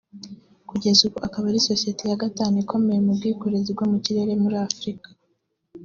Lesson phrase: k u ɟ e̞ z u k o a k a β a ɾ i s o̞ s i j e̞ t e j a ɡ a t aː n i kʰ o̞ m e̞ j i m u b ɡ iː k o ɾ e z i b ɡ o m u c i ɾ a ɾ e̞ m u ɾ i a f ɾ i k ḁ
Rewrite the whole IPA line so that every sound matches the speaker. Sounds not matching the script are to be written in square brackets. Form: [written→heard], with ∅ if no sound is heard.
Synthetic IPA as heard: k u ɟ e̞ z u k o a k a β a ɾ i s o̞ s i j e̞ t e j a ɡ a t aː n i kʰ o̞ m e̞ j [i→e] m u b ɡ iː k o ɾ e z i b ɡ o m u c i ɾ [a→e] ɾ e̞ m u ɾ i a f ɾ i k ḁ

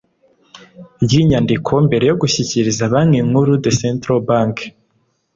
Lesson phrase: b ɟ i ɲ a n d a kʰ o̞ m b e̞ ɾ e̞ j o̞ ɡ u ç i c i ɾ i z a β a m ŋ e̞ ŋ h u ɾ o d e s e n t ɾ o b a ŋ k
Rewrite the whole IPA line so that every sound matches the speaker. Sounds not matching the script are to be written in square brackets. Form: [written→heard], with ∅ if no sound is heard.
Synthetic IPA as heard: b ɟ i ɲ a n d [a→i] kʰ o̞ m b e̞ ɾ e̞ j o̞ ɡ u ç i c i ɾ i z a β a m ŋ e̞ ŋ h u ɾ [o→u] d e s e n t ɾ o b a ŋ k

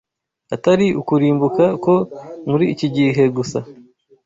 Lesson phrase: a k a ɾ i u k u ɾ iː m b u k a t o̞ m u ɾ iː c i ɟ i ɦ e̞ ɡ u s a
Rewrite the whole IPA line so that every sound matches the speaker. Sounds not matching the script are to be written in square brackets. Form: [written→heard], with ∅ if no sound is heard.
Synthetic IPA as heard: a [k→t] a ɾ i u k u ɾ iː m b u k a [t→k] o̞ m u ɾ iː c i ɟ i ɦ e̞ ɡ u s a

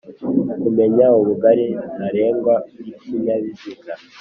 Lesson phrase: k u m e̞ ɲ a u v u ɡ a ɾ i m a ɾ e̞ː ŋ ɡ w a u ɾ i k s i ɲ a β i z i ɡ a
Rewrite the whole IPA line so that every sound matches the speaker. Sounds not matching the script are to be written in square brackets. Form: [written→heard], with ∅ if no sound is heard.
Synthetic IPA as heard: k u m e̞ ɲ a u [v→β] u ɡ a ɾ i [m→n] a ɾ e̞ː ŋ ɡ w a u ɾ i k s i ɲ a β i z i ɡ a

